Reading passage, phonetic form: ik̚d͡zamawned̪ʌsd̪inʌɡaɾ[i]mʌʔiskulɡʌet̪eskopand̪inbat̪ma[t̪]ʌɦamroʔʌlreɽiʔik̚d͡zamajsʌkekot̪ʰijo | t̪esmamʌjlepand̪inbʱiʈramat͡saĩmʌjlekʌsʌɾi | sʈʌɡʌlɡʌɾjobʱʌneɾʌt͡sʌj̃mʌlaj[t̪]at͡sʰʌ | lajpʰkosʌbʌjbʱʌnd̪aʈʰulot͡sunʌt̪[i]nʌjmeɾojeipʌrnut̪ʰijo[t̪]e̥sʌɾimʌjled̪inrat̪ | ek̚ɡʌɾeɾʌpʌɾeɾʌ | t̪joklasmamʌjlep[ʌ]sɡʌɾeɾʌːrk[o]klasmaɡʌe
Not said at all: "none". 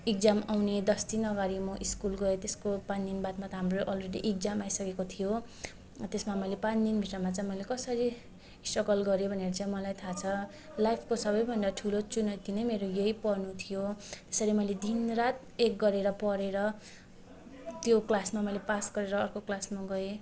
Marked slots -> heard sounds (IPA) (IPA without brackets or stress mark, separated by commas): i, t̪, t̪ʰ, i, t̪, a, o